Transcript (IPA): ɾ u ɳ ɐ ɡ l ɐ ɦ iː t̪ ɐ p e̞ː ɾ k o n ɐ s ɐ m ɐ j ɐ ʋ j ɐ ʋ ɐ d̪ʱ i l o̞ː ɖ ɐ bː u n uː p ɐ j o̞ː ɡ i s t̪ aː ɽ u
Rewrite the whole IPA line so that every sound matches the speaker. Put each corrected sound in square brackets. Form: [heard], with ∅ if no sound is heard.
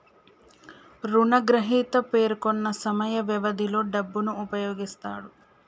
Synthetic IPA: ɾ u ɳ ɐ ɡ [ɾ] ɐ ɦ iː t̪ ɐ p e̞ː ɾ k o [nː] ɐ s ɐ m ɐ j ɐ ʋ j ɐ ʋ ɐ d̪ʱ i l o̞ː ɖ ɐ bː u n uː p ɐ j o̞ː ɡ i s t̪ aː ɽ u